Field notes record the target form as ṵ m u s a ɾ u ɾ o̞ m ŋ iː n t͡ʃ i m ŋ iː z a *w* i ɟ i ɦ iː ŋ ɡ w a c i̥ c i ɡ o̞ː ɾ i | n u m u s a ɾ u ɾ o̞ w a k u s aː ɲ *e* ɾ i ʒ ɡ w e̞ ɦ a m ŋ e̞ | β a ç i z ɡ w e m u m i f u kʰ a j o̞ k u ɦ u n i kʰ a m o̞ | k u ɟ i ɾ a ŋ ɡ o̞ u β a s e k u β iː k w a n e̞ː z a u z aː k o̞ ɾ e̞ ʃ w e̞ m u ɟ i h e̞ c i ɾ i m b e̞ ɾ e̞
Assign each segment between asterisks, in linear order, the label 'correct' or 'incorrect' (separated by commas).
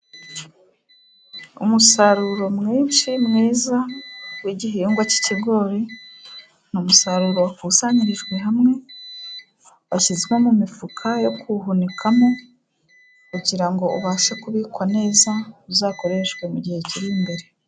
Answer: correct, incorrect